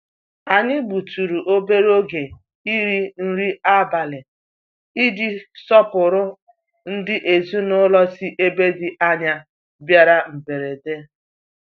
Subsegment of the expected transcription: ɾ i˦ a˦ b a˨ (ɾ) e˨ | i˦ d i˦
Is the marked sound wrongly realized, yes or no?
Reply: yes